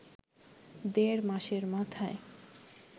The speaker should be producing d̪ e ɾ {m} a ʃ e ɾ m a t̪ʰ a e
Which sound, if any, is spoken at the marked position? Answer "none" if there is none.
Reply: m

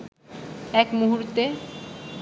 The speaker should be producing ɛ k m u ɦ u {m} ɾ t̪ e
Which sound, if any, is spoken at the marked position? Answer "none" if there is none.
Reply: none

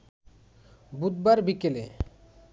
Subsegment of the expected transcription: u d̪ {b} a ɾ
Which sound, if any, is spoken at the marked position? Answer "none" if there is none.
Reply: b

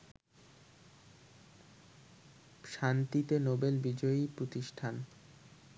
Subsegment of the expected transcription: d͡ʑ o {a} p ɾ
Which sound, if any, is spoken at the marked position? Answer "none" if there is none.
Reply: i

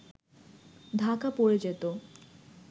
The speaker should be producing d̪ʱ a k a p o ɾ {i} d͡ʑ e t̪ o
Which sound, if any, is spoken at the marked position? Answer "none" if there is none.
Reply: e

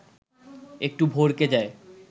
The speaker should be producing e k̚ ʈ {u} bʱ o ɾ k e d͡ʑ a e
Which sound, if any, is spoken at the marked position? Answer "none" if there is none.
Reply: u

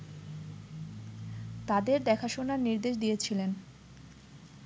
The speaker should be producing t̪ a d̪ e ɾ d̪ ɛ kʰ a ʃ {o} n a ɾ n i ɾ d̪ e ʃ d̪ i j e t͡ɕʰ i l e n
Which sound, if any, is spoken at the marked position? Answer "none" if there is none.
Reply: o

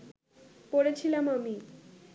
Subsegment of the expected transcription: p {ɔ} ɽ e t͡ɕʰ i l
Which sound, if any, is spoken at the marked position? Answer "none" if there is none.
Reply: o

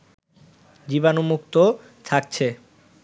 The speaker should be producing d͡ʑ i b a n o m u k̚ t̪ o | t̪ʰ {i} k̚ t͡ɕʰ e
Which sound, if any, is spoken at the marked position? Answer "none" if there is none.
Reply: a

